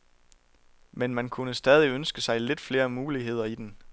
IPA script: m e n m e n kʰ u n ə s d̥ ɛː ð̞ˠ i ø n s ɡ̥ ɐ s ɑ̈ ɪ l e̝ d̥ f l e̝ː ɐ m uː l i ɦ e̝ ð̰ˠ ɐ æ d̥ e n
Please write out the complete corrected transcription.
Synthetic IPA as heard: m e n m æ n kʰ u n ə s d̥ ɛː ð̞ˠ i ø n s ɡ̥ ə s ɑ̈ ɪ l e̝ d̥ f l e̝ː ɐ m uː l i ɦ e̝ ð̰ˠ ɐ i d̥ e n